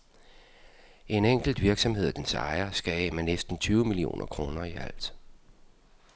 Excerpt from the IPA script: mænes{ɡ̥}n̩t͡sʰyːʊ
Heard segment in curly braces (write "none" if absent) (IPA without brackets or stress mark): d̥